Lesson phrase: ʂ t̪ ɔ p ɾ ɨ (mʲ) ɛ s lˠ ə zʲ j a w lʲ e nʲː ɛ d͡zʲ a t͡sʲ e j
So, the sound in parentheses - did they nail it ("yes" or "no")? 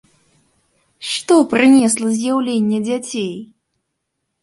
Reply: no